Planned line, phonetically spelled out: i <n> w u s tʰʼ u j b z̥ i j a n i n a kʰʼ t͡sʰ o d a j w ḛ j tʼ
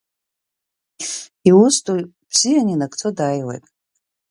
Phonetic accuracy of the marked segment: incorrect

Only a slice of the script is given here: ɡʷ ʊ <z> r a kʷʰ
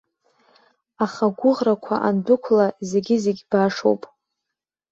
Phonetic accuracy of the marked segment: incorrect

